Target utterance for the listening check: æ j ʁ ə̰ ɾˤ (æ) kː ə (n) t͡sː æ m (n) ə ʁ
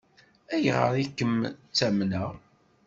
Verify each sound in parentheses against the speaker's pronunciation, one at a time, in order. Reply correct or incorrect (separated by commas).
incorrect, incorrect, correct